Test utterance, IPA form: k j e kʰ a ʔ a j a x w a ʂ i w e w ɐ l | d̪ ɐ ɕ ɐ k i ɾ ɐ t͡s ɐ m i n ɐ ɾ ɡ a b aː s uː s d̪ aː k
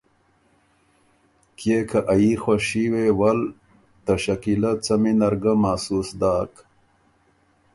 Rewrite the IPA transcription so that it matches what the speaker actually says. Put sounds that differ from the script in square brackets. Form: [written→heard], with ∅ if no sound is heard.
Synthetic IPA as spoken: k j e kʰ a ʔ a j [a→i] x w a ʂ i w e w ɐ l | [d̪→t̪] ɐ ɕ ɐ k i [ɾ→l] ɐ t͡s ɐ m i n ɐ ɾ ɡ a [b→m] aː s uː s d̪ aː k